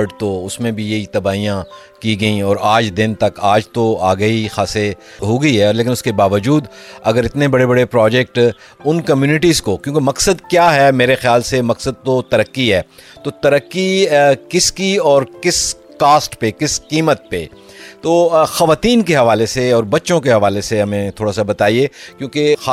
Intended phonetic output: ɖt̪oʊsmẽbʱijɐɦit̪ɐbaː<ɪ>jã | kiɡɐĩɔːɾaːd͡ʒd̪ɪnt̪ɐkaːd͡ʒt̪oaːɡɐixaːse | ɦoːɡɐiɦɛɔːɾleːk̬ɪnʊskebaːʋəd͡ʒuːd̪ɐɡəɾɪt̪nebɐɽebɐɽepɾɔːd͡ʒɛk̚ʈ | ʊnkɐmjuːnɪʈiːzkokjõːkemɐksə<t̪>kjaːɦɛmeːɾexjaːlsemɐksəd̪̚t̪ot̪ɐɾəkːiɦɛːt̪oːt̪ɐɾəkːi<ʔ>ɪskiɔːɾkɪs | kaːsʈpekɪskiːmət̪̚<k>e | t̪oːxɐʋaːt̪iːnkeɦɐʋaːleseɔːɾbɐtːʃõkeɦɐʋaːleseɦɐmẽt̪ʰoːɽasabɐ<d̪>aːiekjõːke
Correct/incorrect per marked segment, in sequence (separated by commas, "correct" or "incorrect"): incorrect, incorrect, incorrect, incorrect, incorrect